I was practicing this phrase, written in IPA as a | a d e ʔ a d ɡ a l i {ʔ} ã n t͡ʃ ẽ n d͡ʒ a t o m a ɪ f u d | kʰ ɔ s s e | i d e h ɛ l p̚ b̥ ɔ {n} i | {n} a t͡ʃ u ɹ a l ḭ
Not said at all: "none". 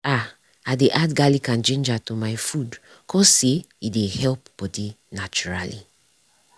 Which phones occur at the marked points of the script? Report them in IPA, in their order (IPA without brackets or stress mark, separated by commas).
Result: k, d, n